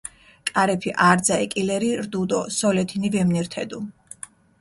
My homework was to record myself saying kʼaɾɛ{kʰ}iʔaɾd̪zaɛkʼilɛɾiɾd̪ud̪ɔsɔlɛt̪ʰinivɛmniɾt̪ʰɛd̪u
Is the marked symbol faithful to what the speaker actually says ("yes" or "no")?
no